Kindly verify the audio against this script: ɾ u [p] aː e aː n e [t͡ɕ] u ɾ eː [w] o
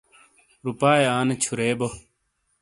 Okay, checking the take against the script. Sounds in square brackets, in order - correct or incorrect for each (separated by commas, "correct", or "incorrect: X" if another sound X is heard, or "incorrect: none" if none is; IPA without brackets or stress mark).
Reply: correct, incorrect: t͡ɕʰ, incorrect: b